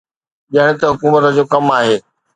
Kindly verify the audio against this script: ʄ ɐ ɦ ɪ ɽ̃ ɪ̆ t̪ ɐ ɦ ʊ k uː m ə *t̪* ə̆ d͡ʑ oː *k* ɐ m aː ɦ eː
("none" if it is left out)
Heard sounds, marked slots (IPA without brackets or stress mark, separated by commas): t̪, k